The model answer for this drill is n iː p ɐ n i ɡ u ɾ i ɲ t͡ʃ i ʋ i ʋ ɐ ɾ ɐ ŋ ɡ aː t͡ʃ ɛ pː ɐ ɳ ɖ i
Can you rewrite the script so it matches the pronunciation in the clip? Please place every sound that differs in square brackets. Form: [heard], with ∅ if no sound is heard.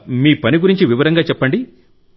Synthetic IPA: [m] iː p ɐ n i ɡ u ɾ i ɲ t͡ʃ i ʋ i ʋ ɐ ɾ ɐ ŋ ɡ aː t͡ʃ ɛ pː ɐ ɳ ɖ i